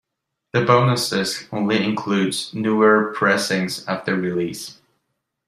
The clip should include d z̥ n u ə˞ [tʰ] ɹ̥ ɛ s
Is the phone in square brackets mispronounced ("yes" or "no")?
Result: yes